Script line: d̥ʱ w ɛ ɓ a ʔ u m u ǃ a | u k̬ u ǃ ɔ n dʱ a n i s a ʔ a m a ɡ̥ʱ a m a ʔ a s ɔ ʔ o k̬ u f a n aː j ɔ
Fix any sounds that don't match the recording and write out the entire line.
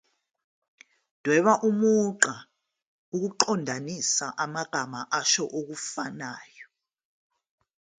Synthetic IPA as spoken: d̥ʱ w ɛ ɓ a ʔ u m u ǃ a | u k̬ u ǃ ɔ n dʱ a n i s a ʔ a m a ɡ̥ʱ a m a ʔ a ʃ ɔ ʔ o k̬ u f a n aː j ɔ